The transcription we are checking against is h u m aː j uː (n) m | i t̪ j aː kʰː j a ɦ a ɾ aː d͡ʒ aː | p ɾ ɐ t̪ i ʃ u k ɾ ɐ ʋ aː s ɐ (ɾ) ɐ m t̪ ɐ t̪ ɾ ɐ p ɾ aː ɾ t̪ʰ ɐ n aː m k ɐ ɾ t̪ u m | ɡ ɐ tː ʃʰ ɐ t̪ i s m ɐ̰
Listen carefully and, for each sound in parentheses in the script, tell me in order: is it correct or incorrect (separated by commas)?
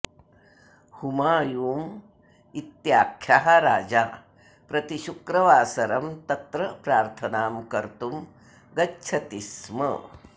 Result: incorrect, correct